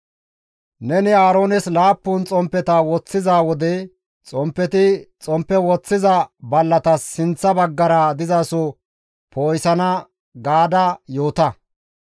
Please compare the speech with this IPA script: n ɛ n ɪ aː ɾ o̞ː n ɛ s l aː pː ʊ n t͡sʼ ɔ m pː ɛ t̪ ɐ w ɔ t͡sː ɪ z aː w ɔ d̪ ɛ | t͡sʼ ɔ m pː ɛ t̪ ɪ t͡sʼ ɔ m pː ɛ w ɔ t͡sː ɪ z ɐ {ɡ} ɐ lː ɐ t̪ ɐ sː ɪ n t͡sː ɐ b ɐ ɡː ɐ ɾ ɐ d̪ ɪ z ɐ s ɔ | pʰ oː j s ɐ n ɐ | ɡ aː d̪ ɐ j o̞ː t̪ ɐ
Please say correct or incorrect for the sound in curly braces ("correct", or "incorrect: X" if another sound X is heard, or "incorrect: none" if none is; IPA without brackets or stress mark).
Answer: incorrect: b